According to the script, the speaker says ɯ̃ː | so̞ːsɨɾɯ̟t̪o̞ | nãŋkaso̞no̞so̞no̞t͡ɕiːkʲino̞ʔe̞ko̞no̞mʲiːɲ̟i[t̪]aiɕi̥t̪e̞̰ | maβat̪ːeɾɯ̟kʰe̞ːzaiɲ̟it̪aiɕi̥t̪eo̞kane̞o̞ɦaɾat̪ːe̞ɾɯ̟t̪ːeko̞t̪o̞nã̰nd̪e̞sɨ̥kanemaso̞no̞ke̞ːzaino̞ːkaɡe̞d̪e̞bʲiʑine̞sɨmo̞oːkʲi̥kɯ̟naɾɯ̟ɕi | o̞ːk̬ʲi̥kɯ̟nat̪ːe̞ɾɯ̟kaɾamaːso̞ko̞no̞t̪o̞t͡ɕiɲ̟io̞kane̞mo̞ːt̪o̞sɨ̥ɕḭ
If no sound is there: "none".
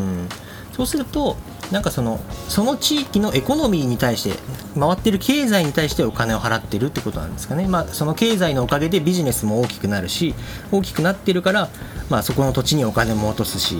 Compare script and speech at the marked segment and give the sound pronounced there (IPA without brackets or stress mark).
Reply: t̪